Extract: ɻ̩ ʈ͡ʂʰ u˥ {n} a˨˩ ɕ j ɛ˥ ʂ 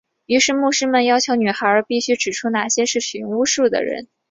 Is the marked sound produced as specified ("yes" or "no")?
yes